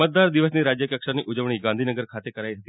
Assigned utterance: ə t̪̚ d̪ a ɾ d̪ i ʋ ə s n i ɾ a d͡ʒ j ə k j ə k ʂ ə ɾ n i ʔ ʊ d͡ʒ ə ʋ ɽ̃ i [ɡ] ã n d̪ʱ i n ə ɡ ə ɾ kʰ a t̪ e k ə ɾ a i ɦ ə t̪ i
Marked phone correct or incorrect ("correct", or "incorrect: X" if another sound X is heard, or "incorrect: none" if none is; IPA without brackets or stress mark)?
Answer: correct